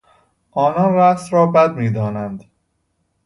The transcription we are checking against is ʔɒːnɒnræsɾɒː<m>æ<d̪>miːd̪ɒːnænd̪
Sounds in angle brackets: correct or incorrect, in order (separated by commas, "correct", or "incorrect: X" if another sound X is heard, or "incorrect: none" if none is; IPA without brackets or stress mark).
incorrect: b, correct